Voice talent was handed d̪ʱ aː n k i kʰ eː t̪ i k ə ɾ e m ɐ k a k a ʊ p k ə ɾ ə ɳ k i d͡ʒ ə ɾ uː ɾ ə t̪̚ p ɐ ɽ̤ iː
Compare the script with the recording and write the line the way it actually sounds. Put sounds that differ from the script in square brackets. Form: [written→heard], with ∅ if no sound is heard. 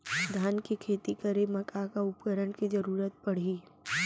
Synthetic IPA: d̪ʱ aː n k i kʰ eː t̪ i k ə ɾ e m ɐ k a k a ʊ p k ə ɾ ə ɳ k i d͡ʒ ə ɾ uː ɾ ə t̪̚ p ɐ ɽ̤ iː